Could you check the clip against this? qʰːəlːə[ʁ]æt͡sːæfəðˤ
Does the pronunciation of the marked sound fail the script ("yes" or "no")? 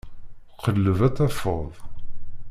yes